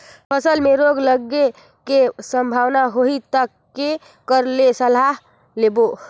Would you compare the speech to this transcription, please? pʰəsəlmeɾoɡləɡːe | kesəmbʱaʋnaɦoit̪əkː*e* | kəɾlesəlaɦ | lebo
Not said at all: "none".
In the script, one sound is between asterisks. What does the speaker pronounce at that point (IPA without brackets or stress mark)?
e